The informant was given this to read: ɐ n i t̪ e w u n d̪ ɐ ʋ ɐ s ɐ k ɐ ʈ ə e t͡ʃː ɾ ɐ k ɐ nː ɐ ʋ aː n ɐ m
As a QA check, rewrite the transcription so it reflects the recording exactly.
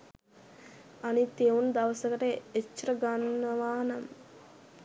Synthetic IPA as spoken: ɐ n i t̪ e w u n d̪ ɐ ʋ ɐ s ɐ k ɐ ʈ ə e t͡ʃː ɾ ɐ ɡ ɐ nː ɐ ʋ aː n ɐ m

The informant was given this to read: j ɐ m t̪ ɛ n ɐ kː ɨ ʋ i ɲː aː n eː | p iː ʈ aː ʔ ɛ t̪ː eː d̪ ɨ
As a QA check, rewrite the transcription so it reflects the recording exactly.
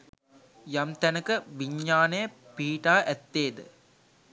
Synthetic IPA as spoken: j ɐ m t̪ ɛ n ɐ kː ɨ ʋ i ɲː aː n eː | p iː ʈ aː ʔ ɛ t̪ː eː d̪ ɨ

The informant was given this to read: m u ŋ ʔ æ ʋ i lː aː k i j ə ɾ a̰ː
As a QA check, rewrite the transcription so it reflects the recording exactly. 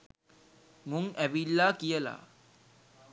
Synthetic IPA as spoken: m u ŋ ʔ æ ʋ i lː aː k i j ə l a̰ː

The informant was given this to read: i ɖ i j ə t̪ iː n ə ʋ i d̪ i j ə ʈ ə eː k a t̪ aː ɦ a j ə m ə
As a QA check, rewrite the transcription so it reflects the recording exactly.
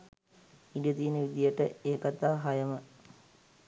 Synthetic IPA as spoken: i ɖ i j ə t̪ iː n ə ʋ i d̪ i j ə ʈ ə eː k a t̪ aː ɦ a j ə m ə

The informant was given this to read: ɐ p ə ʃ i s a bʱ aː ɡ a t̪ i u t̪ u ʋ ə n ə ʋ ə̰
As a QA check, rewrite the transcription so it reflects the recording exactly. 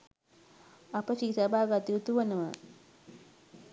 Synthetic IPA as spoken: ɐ p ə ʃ i s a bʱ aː ɡ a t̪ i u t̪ u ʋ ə n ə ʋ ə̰

